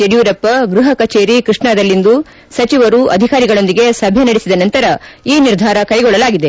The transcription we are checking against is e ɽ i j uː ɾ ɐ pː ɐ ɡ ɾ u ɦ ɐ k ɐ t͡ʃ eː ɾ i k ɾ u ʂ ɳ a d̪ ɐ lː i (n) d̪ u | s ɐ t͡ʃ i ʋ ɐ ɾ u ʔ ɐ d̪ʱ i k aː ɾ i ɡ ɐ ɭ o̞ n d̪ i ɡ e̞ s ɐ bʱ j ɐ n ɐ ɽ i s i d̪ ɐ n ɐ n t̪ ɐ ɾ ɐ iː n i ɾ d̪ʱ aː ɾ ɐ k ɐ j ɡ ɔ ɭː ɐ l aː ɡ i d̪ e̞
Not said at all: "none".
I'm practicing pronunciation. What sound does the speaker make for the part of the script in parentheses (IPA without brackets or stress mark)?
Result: n